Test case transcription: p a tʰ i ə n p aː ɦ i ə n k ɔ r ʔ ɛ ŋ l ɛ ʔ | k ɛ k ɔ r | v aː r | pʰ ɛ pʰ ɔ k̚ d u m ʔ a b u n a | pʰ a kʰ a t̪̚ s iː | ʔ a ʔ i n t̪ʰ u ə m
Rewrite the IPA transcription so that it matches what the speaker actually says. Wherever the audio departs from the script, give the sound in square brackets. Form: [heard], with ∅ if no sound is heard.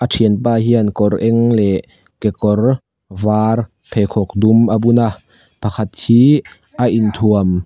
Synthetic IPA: [ʔ] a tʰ i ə n p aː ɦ i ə n k ɔ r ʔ ɛ ŋ l ɛ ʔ | k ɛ k ɔ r | v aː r | pʰ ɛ [kʰ] ɔ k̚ d u m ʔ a b u n a | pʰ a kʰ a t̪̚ [h] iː | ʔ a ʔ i n t̪ʰ u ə m